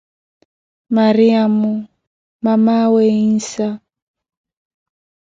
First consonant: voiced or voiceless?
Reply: voiced